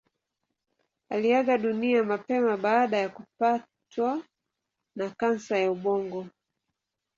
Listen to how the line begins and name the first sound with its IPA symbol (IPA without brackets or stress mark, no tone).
a